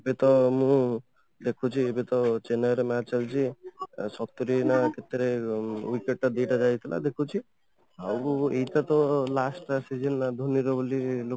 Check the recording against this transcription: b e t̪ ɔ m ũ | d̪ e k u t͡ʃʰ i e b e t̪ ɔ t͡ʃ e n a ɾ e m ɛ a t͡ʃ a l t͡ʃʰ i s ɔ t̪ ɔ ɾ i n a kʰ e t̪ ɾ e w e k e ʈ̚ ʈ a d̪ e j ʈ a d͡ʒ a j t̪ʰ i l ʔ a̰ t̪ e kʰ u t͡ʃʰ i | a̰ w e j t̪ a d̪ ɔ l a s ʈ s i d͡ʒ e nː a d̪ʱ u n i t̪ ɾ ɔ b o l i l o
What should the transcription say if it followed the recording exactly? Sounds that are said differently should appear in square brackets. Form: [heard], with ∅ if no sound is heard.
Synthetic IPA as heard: b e t̪ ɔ m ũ | d̪ e [kʰ] u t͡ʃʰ i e b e t̪ ɔ t͡ʃ e n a ɾ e m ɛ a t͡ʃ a l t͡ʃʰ i s ɔ t̪ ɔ ɾ i n a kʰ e t̪ ɾ e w [i] k e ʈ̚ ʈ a d̪ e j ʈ a d͡ʒ a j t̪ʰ i l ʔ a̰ [d̪] e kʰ u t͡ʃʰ i | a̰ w e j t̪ a [t̪] ɔ l a s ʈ s i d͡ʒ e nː a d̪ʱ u n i [∅] ɾ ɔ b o l i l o